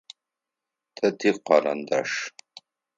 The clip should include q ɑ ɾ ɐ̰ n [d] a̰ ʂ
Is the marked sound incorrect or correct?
correct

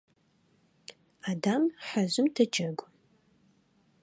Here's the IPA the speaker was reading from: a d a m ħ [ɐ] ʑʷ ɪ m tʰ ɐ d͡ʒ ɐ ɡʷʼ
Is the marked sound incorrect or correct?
incorrect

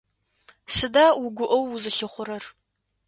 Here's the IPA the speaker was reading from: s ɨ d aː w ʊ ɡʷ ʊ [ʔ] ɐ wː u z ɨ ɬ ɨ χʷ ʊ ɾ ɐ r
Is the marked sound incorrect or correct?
correct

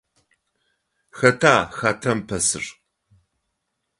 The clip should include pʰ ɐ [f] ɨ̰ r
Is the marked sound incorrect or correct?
incorrect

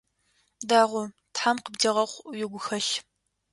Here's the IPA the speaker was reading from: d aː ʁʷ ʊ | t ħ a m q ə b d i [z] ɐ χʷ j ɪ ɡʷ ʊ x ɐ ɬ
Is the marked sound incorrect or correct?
incorrect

